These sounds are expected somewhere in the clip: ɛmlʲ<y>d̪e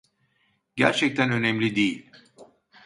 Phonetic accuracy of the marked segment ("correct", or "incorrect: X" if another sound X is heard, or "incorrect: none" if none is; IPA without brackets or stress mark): incorrect: i